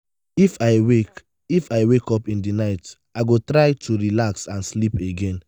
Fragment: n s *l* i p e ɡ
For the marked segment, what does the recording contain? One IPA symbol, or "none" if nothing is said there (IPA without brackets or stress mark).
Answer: l